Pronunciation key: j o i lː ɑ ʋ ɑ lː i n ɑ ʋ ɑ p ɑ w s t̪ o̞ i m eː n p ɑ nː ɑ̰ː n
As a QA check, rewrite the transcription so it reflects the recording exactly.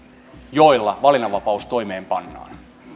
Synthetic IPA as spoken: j o i lː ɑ ʋ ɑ l i n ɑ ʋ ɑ p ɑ u s t̪ o̞ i m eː m p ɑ nː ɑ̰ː n